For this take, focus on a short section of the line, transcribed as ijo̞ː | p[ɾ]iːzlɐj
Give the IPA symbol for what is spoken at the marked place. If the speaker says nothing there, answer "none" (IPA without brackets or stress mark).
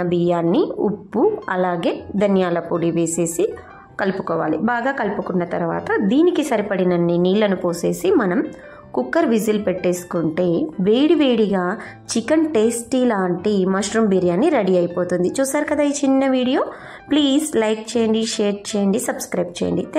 l